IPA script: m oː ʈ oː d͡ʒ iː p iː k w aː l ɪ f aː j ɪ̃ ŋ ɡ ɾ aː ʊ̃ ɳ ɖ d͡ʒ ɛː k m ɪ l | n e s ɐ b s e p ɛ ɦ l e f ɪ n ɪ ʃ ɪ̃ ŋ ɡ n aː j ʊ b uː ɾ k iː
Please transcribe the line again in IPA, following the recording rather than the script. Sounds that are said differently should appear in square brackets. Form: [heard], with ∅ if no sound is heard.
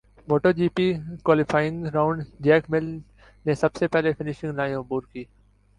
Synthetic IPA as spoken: m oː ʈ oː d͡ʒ iː p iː k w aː l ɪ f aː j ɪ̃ ŋ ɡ ɾ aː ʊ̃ ɳ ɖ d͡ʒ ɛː k m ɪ l | n e s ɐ b s e p ɛ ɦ l e f ɪ n ɪ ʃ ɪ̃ ŋ ɡ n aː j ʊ b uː ɾ k iː